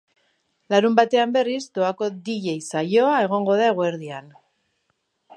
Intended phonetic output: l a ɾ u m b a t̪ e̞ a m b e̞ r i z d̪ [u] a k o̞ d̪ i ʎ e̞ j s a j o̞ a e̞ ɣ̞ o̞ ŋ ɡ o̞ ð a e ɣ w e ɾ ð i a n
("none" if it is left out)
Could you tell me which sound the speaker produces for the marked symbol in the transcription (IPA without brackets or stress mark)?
o